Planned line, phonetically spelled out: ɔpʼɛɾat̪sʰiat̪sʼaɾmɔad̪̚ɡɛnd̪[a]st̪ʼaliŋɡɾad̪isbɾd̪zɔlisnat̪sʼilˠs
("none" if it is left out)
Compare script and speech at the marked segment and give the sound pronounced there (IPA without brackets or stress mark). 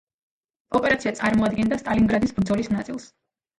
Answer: a